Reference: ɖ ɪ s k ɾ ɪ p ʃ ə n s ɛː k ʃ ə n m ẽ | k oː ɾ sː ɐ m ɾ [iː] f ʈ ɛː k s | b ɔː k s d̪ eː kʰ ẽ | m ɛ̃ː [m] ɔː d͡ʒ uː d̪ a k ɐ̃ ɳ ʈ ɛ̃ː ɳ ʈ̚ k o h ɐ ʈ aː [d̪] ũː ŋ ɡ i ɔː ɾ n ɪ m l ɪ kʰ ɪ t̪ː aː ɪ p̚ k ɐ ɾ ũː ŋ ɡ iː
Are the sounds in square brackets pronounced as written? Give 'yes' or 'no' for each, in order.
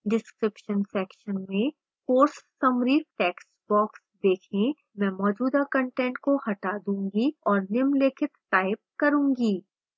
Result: yes, yes, yes

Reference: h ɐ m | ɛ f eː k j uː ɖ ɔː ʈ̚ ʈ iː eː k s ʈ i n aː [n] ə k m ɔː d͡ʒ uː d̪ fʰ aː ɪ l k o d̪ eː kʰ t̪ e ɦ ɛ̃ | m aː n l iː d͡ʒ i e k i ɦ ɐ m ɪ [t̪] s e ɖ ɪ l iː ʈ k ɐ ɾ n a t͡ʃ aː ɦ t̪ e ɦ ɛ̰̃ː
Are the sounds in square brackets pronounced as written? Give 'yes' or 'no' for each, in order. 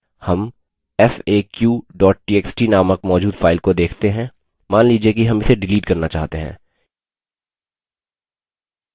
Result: no, no

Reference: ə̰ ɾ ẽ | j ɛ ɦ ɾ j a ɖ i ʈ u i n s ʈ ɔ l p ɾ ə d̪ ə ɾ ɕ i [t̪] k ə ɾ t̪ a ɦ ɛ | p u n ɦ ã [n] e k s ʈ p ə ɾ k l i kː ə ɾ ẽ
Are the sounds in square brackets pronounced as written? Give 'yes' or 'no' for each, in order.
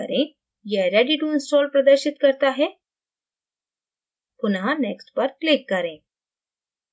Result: yes, yes

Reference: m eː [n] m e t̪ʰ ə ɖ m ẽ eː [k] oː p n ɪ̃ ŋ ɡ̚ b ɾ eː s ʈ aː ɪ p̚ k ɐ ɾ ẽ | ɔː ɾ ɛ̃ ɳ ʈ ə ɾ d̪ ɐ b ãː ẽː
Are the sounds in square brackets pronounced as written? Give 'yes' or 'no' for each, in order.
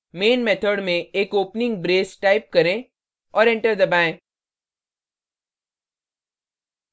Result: yes, yes

